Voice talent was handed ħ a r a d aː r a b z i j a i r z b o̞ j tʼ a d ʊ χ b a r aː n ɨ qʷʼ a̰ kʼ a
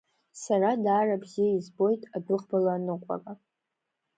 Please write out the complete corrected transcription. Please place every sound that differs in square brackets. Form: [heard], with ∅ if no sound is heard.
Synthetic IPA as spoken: [s] a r a d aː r a b z i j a i [∅] z b o̞ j tʼ a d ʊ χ b a [l] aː n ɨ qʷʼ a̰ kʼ a